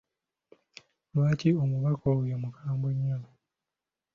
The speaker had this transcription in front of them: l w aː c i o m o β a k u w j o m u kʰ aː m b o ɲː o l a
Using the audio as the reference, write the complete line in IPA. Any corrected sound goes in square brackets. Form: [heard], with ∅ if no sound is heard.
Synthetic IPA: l w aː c i o m [u] β a k [o] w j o m u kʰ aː m b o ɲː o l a